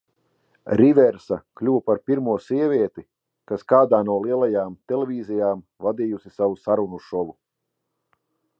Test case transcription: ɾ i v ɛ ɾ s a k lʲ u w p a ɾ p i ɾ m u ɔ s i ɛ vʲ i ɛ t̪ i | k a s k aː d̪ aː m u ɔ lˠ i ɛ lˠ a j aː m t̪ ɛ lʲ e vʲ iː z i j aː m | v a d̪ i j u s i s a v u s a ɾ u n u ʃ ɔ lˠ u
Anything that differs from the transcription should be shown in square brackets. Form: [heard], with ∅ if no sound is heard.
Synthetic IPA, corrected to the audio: ɾ i v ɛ ɾ s a k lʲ u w p a ɾ p i ɾ m u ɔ s i ɛ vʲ i ɛ t̪ i | k a s k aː d̪ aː [n] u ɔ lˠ i ɛ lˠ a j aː m t̪ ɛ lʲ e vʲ iː z i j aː m | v a d̪ i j u s i s a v u s a ɾ u n u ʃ ɔ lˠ u